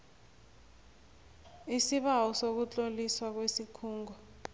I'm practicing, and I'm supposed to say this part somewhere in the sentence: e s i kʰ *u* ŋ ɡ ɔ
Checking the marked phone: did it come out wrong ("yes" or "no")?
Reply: yes